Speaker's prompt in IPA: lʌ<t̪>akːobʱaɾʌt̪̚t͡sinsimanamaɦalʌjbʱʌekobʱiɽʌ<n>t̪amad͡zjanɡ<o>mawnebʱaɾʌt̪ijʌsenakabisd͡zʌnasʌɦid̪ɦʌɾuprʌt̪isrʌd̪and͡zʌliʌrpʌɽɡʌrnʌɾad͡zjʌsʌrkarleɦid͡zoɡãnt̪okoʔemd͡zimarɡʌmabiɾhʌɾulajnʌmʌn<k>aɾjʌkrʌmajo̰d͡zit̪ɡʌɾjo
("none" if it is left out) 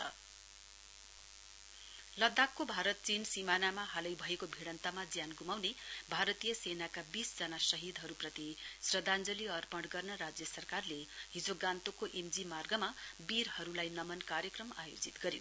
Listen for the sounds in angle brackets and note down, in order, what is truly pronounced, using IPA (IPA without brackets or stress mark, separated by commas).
d̪, n, u, k